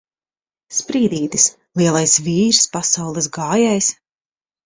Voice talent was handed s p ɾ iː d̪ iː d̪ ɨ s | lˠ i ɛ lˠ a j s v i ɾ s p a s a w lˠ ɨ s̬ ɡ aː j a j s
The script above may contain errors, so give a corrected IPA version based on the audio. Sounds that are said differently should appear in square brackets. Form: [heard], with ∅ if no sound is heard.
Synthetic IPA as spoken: s p ɾ iː d̪ iː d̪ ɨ s | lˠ i ɛ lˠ a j s v [iː] ɾ s p a s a w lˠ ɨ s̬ ɡ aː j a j s